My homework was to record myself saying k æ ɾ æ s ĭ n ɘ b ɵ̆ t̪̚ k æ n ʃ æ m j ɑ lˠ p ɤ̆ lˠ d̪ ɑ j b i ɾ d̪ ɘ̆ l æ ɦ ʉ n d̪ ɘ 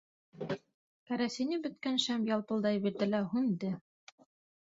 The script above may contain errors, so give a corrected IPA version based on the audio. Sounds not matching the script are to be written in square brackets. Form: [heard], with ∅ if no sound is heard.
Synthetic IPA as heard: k æ ɾ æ s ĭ n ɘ b ɵ̆ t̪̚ k æ n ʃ æ m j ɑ lˠ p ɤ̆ lˠ d̪ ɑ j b i ɾ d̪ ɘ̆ l æ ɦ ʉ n d̪ ɘ